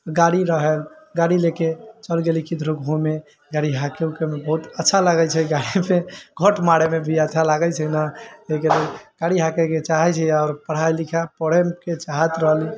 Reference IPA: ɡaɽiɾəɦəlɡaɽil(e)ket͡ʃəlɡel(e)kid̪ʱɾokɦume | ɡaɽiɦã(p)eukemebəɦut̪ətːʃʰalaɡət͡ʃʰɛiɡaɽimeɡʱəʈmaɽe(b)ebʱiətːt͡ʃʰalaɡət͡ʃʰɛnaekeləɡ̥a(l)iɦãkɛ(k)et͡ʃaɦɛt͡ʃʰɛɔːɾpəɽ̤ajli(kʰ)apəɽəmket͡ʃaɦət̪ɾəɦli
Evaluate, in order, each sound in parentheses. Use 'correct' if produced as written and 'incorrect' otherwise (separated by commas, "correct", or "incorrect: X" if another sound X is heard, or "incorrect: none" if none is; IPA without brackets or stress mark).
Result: correct, incorrect: i, incorrect: k, incorrect: m, incorrect: ɽ, correct, correct